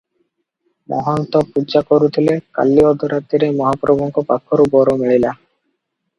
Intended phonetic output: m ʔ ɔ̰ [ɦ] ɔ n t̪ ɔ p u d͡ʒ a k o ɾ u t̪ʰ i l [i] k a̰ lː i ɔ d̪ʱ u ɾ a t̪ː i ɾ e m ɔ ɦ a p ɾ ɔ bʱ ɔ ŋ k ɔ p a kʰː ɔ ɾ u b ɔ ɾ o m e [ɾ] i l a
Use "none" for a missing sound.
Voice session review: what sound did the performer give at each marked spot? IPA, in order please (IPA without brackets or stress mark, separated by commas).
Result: ɦ, e, ɭ